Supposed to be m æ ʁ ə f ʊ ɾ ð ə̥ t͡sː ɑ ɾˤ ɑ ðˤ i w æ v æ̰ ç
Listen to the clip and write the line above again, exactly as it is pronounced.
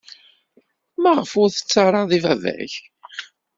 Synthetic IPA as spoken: m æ ʁ ə f ʊ ɾ θ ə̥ t͡sː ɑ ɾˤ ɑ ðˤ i v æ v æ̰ ç